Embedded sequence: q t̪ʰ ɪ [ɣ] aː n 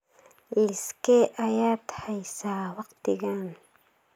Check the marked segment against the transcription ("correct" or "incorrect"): correct